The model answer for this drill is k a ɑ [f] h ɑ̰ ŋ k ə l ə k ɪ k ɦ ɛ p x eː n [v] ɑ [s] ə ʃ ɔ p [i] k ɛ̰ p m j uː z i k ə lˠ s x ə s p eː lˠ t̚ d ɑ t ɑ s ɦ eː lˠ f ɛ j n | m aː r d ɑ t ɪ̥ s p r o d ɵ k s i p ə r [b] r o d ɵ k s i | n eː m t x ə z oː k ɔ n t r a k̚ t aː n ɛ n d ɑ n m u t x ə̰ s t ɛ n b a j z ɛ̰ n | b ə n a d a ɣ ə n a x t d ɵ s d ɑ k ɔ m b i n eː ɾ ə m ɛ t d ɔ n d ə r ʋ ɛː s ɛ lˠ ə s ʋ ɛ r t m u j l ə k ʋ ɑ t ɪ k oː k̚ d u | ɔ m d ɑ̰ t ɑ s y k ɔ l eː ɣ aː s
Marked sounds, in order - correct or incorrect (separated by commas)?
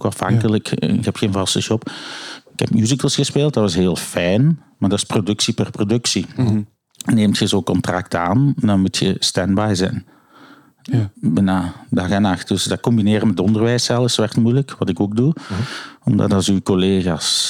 correct, correct, correct, incorrect, incorrect